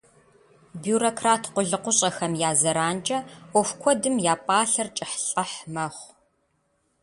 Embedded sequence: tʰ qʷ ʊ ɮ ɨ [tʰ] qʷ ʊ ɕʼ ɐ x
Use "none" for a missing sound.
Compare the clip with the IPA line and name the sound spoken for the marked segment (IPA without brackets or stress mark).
none